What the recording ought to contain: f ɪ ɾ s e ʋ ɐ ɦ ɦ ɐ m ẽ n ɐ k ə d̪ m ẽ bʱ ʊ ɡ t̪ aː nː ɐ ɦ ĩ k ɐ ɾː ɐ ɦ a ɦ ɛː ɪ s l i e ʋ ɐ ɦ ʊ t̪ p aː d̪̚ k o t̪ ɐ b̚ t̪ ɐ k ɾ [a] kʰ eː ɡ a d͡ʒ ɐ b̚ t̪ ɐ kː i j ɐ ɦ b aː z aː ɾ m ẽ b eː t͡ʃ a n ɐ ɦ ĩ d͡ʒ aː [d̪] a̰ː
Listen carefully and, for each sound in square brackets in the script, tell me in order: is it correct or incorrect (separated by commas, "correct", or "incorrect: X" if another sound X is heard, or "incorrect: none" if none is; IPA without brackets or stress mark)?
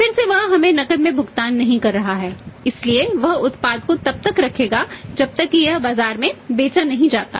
incorrect: ɐ, incorrect: t̪